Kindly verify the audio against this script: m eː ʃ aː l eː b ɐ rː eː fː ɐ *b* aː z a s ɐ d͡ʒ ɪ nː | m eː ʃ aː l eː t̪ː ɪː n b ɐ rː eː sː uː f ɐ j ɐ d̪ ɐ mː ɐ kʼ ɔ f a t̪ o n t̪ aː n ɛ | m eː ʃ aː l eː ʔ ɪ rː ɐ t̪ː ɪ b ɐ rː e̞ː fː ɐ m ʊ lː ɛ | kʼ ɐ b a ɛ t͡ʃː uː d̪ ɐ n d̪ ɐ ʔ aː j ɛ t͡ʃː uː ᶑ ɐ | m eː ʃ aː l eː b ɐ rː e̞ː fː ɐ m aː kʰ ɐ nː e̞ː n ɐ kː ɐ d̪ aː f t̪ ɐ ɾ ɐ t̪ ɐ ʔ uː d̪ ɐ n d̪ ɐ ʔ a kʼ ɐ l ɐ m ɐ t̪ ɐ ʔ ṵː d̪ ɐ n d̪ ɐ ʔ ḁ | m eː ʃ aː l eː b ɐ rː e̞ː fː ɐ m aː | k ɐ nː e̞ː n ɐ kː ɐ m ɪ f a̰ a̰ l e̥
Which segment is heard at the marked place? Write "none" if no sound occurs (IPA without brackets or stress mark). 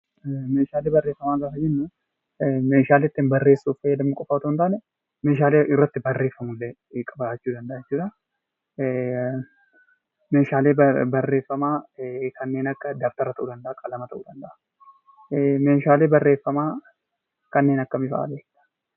m